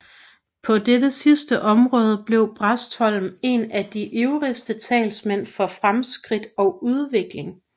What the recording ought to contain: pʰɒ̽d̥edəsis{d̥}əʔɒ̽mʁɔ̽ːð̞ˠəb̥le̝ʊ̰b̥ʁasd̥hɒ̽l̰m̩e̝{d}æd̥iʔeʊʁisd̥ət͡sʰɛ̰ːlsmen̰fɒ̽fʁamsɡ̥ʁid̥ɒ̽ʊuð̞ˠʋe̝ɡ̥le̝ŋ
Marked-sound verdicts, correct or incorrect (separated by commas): correct, incorrect